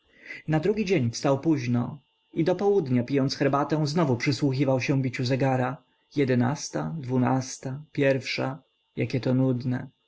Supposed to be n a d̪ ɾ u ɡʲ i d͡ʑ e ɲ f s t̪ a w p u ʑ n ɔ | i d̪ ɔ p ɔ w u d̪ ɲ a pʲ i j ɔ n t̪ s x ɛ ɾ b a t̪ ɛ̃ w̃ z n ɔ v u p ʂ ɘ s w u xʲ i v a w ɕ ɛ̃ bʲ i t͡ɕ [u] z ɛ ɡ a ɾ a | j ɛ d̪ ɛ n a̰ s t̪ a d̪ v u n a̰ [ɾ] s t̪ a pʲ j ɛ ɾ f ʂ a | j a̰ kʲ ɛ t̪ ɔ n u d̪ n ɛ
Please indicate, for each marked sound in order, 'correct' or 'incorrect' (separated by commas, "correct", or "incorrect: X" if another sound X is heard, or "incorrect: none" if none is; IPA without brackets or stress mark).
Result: correct, incorrect: none